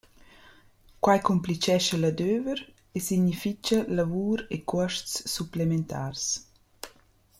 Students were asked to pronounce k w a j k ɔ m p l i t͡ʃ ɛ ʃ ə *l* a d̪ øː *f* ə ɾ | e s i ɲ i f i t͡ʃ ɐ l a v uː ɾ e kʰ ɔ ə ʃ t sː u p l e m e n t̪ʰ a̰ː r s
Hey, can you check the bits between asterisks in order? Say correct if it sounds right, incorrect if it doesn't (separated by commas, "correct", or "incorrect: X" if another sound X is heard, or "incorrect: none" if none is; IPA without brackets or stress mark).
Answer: correct, incorrect: v